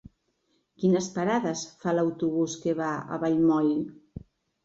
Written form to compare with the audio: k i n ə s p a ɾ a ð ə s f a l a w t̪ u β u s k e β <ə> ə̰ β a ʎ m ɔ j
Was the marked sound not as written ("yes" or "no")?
yes